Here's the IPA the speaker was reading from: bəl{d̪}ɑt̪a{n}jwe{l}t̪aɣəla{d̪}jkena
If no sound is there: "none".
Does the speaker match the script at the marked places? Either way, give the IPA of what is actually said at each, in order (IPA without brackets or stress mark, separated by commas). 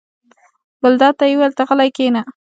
d̪, none, l, none